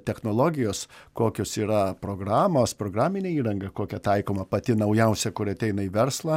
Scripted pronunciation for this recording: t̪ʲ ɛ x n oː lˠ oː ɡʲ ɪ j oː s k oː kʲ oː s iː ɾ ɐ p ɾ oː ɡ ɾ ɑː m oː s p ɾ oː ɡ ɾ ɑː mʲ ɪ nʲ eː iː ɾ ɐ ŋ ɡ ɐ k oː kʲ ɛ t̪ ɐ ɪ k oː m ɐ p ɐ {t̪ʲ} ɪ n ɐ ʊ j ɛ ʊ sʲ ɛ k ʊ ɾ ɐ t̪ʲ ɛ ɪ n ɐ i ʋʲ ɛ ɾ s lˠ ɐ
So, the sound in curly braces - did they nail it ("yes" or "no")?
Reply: yes